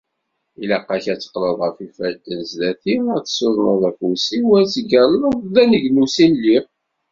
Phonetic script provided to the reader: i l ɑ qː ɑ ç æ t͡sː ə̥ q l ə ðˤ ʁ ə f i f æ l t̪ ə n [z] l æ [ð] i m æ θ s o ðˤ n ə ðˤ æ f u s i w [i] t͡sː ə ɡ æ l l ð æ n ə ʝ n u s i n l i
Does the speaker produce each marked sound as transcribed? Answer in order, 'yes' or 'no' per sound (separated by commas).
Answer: yes, no, no